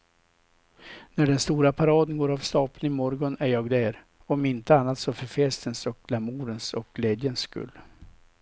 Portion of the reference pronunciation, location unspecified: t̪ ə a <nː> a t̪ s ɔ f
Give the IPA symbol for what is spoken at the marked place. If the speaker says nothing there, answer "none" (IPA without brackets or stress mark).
nː